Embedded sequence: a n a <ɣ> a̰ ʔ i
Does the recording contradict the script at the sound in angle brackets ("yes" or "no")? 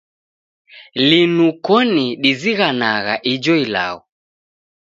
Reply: no